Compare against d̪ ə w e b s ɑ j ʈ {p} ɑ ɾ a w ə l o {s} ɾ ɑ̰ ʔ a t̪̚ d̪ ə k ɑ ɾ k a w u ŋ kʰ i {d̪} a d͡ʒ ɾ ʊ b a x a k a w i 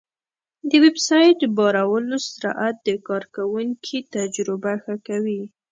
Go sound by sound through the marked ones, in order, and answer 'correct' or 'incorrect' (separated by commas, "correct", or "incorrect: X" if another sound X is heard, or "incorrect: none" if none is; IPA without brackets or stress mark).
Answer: incorrect: b, correct, incorrect: t̪